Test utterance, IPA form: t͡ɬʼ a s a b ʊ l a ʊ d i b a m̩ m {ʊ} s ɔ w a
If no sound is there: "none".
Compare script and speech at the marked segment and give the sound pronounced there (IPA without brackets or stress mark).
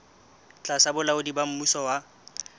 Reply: u